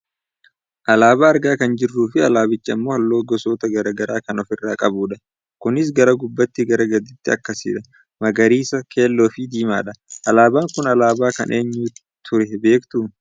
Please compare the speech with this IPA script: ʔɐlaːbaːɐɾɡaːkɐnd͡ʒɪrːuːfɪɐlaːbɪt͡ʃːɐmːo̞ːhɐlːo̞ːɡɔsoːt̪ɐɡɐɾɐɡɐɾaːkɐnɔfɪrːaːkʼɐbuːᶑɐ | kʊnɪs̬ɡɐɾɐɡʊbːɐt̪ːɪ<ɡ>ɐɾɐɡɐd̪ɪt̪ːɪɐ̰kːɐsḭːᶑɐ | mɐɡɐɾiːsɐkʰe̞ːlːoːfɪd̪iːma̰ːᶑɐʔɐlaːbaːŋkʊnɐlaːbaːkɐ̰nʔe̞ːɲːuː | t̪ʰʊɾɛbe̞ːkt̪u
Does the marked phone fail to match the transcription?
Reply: no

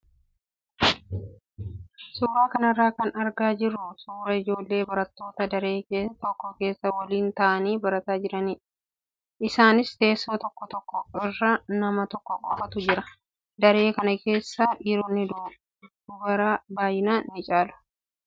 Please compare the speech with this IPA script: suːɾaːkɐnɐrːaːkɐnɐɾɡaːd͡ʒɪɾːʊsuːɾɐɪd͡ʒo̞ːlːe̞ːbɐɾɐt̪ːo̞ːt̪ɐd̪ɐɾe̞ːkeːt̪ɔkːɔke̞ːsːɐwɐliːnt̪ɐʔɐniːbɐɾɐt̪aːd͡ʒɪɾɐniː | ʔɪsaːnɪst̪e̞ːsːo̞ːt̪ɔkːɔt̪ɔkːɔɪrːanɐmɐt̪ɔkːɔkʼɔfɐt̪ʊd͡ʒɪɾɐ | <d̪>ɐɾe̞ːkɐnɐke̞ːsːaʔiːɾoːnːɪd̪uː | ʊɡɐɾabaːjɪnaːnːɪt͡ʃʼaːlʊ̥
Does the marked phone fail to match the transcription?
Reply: no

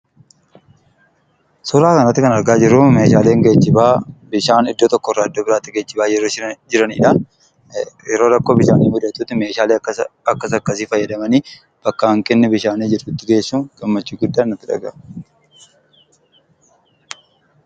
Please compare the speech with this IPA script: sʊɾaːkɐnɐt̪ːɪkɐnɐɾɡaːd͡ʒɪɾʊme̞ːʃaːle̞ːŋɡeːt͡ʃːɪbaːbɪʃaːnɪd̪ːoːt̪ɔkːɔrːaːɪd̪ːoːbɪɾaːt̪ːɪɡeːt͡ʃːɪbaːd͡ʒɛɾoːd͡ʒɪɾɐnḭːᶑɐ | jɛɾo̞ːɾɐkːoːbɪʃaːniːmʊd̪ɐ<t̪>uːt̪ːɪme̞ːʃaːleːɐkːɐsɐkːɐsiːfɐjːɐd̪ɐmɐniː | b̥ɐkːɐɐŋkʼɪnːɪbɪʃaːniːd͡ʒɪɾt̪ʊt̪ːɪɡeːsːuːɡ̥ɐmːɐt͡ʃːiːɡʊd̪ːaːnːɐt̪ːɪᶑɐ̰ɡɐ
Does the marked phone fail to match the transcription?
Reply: no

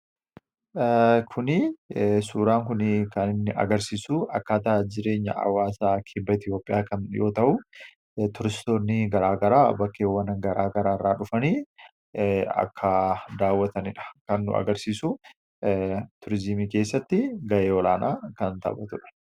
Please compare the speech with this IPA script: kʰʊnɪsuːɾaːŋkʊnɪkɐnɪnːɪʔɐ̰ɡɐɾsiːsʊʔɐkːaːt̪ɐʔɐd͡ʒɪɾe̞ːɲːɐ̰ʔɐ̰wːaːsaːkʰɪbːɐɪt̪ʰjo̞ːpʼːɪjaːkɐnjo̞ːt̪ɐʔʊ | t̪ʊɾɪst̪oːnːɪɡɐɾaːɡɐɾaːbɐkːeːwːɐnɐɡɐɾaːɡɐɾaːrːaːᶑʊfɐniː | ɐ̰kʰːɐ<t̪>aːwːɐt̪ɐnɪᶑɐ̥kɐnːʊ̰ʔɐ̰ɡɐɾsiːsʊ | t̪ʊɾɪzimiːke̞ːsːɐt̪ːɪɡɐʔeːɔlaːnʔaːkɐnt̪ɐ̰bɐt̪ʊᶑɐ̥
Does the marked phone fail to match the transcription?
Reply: yes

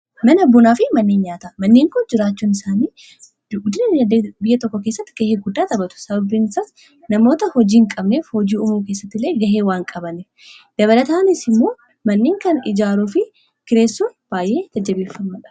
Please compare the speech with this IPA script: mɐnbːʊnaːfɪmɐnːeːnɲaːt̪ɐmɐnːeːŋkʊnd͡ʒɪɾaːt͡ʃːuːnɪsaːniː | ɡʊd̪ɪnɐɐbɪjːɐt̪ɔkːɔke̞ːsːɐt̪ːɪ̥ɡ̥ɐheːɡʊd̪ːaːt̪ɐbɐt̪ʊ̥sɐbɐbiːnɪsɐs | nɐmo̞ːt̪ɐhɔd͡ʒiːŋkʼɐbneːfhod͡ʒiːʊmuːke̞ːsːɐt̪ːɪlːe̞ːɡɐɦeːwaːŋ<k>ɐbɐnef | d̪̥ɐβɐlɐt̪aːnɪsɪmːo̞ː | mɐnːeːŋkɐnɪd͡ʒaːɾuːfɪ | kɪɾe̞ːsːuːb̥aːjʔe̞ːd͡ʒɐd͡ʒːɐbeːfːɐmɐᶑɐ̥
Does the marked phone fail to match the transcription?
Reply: yes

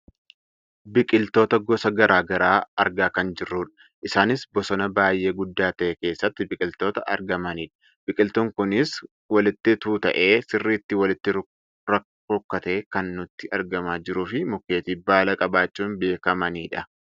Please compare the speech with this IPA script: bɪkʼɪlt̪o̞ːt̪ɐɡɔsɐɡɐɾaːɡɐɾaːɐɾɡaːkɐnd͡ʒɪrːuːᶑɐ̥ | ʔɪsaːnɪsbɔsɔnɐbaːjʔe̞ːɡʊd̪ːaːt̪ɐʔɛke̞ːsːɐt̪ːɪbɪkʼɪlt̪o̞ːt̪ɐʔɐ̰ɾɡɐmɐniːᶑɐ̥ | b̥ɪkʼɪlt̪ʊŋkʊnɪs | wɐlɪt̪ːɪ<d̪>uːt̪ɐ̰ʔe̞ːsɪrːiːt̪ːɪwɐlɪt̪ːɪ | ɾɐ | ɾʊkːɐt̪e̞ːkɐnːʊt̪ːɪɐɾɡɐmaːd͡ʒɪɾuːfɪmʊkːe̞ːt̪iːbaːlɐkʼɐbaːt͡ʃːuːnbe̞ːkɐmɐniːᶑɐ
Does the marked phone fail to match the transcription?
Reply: yes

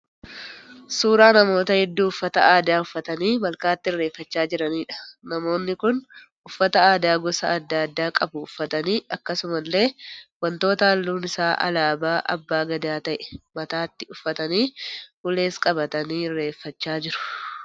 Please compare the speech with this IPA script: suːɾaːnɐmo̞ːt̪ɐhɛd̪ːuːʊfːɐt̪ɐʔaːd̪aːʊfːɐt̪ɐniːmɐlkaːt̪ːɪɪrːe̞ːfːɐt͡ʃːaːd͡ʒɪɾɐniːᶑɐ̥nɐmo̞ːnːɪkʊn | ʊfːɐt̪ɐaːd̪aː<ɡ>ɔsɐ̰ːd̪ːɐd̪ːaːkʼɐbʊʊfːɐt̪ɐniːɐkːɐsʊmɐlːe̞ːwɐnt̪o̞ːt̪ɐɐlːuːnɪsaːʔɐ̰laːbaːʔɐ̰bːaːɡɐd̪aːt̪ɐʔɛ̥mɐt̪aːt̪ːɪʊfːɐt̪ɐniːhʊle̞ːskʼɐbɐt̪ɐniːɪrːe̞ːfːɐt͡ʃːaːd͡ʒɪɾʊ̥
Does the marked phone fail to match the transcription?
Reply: no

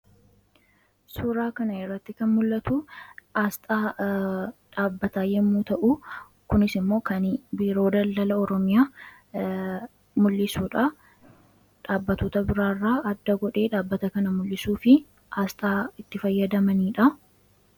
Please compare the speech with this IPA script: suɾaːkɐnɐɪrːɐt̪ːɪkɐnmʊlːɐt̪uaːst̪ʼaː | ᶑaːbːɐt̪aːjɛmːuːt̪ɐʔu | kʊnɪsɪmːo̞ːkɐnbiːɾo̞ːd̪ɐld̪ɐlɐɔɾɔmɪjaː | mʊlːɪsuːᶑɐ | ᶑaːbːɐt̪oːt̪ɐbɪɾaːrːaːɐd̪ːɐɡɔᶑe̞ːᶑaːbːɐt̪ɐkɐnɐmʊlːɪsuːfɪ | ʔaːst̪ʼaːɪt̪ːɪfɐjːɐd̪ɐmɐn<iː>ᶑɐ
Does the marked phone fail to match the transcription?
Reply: no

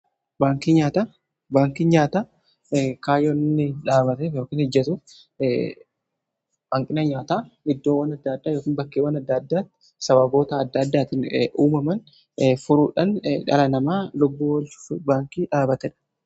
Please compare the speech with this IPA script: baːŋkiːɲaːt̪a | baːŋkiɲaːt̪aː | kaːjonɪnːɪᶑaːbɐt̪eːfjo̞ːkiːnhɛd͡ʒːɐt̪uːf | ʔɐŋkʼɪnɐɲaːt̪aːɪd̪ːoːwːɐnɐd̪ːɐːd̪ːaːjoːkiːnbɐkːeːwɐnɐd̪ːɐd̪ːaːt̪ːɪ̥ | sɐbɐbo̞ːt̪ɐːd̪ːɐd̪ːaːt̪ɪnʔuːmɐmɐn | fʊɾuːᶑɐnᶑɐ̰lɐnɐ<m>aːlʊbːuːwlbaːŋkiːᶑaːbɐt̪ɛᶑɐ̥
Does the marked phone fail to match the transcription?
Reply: no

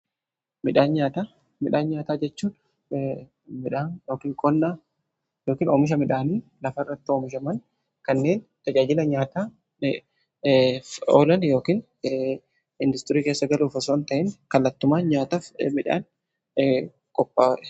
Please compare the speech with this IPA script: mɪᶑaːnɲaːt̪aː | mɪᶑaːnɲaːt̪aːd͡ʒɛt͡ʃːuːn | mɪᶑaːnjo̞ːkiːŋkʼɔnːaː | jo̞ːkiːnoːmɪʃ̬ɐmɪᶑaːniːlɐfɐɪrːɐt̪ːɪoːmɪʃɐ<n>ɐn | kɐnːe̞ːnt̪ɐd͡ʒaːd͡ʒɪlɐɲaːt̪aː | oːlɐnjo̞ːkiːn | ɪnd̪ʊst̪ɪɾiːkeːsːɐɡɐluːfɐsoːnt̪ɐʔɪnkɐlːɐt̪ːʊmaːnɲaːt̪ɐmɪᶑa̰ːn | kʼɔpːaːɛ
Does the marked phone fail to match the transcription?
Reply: yes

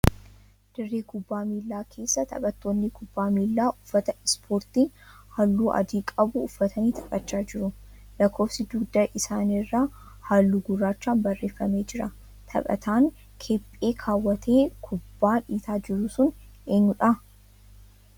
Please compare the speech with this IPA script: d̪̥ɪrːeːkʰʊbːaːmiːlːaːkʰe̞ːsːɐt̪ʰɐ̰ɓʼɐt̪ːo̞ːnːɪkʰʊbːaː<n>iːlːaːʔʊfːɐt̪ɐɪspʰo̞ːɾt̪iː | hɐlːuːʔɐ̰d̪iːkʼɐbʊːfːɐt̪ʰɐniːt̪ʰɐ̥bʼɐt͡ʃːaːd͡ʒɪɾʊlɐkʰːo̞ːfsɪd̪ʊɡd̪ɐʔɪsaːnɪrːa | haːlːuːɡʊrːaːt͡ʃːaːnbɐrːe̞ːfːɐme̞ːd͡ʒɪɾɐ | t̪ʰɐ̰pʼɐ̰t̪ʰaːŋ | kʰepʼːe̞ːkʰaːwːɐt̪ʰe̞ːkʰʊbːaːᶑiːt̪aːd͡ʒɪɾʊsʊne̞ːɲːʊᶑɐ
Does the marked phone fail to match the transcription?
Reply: yes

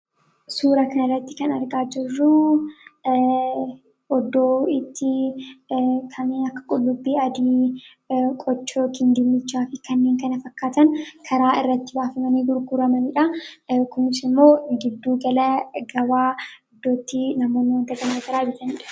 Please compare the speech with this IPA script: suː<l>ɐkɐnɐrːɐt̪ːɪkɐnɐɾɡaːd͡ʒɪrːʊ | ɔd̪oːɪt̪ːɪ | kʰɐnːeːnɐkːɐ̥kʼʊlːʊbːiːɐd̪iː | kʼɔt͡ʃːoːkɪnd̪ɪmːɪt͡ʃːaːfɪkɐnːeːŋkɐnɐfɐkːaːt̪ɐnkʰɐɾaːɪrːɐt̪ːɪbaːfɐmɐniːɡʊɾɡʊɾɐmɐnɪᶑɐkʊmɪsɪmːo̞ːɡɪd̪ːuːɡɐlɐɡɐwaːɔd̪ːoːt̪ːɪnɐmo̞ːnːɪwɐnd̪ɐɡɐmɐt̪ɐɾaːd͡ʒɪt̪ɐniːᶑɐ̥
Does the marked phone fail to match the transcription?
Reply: yes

